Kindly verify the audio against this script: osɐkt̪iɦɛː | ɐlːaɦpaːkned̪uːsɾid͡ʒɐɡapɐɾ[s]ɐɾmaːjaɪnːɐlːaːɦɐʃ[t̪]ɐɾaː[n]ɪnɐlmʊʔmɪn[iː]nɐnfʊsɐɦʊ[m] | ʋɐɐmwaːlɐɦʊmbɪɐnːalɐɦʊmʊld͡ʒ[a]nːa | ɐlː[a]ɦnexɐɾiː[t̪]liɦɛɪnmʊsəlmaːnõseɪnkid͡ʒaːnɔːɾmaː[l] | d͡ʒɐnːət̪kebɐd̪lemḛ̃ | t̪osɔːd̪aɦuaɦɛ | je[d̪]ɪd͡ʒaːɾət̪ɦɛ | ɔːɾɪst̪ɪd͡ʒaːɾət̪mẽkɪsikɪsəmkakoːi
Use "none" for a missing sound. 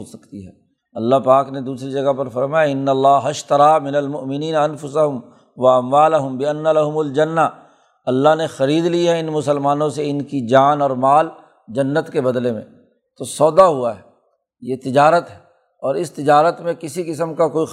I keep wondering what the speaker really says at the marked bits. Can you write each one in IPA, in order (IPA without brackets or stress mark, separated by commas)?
f, t̪, m, iː, m, ɐ, a, d̪, l, t̪